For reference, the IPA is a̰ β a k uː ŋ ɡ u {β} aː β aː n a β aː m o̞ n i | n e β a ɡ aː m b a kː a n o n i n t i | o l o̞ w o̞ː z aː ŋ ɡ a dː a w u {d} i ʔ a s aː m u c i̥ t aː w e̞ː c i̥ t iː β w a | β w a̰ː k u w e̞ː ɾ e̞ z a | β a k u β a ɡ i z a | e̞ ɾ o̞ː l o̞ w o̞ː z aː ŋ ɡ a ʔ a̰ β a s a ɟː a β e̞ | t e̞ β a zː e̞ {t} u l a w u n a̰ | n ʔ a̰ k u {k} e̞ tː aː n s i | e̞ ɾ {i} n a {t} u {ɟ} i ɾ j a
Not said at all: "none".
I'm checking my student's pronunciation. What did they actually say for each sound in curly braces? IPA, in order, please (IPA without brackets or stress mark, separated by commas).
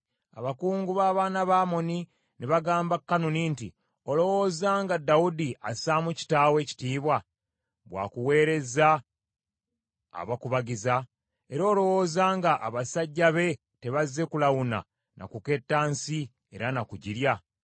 β, d, k, k, a, k, ɟ